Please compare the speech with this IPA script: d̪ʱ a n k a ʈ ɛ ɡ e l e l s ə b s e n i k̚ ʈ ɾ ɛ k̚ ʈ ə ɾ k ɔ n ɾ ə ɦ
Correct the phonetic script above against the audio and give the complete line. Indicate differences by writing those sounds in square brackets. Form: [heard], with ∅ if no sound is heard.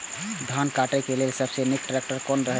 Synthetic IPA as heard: d̪ʱ a n k a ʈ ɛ [k] e l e l s ə b s e n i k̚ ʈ ɾ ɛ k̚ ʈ ə ɾ k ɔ n ɾ ə ɦ